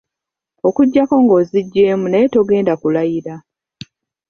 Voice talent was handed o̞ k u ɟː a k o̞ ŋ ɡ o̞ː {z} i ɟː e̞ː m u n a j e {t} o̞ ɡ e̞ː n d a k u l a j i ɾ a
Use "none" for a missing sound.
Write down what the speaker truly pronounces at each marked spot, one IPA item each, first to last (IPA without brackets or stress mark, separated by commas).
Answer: z, t